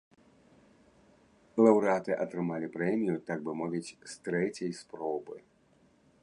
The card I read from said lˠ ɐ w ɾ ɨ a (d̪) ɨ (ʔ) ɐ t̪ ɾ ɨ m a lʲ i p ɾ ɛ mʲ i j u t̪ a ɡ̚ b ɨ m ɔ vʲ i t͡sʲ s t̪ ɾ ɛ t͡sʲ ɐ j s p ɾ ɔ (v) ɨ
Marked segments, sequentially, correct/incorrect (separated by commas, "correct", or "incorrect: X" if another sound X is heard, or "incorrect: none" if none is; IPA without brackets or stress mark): incorrect: t̪, correct, incorrect: b